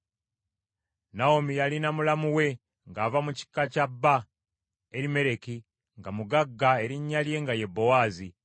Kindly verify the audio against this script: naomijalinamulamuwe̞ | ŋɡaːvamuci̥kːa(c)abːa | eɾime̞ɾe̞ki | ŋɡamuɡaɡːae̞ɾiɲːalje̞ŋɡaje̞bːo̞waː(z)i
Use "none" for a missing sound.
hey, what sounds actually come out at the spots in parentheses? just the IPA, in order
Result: c, z

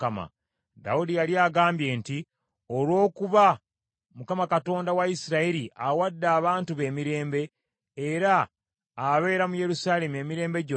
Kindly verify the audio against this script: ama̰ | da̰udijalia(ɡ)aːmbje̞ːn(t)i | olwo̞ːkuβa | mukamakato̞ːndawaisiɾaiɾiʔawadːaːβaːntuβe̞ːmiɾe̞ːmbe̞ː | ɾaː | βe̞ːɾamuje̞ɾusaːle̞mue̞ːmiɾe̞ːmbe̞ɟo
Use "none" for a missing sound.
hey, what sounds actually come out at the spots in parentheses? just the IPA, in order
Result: ɡ, t

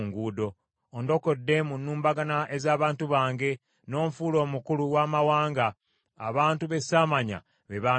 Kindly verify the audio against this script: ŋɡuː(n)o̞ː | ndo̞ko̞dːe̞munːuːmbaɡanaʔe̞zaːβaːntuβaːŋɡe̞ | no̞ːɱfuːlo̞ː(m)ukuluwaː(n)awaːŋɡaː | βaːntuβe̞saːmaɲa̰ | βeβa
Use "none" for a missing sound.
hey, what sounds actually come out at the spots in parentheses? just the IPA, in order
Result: d, m, m

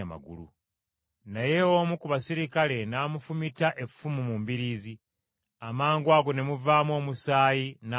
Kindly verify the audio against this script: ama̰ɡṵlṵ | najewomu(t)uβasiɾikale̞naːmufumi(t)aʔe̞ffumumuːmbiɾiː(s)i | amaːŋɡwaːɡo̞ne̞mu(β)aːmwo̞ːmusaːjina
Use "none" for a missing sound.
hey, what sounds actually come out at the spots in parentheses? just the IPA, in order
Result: k, t, z, v

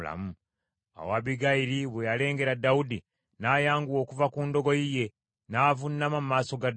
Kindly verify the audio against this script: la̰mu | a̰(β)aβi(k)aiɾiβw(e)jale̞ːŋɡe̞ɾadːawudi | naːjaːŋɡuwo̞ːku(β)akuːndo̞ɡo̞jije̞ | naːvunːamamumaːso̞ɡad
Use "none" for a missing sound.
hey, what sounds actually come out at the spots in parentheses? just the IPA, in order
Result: w, ɡ, e, v

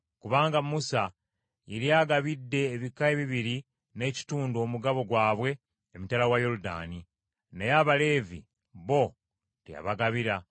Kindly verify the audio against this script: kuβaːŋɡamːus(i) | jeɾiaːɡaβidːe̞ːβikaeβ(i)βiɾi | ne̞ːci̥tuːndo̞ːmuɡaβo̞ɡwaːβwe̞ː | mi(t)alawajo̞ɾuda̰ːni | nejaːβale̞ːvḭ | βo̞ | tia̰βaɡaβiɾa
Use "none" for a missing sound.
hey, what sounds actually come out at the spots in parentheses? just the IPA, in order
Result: a, i, t

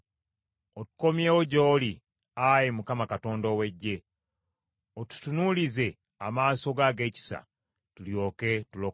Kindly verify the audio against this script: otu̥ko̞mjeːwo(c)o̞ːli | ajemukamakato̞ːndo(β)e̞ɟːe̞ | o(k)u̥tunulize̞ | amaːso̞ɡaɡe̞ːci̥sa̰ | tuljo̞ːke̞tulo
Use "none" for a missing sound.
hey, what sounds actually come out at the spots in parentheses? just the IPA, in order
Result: ɟ, w, t

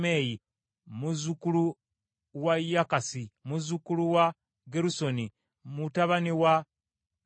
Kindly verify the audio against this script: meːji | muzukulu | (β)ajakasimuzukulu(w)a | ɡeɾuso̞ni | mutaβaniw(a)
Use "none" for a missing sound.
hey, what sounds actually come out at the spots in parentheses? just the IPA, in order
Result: w, w, a

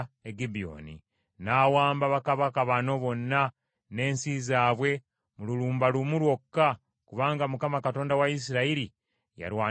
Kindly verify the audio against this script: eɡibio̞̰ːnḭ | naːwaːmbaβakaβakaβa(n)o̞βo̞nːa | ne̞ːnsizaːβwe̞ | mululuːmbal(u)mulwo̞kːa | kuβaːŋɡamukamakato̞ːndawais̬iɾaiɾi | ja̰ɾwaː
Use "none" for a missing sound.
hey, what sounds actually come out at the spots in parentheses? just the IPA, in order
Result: n, u

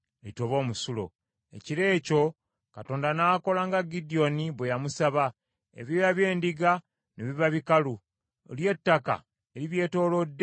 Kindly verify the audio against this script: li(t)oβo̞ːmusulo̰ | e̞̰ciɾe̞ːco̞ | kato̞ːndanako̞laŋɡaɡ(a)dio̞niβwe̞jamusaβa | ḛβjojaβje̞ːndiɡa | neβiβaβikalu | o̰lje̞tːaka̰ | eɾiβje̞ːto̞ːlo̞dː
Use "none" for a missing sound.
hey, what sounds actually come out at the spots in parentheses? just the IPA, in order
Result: t, i

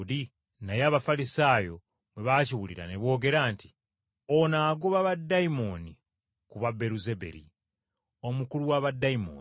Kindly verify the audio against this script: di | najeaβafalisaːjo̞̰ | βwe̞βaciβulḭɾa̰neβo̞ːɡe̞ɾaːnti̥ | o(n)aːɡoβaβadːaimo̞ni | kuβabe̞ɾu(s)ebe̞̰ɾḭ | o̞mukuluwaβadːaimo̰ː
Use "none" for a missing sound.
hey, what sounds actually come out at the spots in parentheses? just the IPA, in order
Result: n, z

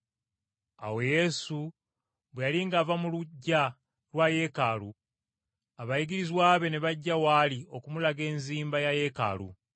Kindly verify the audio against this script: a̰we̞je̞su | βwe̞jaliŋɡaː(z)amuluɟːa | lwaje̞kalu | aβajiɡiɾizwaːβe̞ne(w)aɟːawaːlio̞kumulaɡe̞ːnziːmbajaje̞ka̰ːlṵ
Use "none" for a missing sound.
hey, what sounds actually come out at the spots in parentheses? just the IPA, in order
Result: v, β

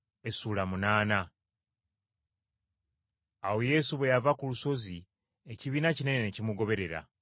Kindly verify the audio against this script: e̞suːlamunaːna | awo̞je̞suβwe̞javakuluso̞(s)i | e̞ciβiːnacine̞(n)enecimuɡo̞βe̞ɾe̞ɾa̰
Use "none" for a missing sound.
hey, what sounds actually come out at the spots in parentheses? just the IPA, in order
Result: z, n

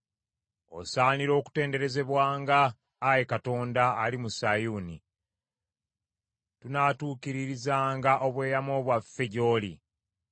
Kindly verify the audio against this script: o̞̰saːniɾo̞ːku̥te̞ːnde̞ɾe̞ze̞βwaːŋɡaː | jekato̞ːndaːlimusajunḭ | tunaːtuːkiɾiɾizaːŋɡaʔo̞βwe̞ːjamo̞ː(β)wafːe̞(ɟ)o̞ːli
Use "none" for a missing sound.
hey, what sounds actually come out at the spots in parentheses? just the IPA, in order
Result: β, ɟ

